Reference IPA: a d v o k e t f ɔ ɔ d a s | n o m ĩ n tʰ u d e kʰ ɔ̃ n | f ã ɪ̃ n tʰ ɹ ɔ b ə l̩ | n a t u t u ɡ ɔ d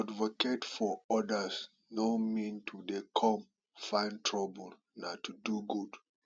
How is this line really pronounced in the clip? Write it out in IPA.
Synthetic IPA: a d v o k e t f ɔ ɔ d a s | n o m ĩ n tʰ u d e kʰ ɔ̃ m | f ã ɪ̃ n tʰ ɹ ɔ b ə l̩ | n a t u d u ɡ u d